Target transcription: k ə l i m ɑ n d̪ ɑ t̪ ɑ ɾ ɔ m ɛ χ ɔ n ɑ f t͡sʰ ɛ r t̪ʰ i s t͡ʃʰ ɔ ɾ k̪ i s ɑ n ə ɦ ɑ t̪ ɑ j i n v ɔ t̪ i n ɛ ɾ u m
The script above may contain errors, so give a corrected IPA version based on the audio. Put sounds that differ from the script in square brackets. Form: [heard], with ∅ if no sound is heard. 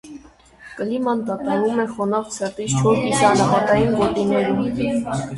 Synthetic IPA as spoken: k ə l i m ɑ n d̪ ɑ t̪ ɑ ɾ [u] m ɛ χ ɔ n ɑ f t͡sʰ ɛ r [t̪] i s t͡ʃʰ ɔ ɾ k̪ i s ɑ n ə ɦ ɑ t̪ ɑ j i n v ɔ t̪ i n ɛ ɾ u m